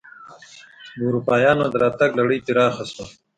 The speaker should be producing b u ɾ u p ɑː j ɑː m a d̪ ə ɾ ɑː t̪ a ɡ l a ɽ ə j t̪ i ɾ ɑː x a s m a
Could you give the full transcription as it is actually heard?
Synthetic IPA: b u ɾ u p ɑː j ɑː n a d̪ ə ɾ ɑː t̪ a ɡ l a ɽ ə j t̪ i ɾ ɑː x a s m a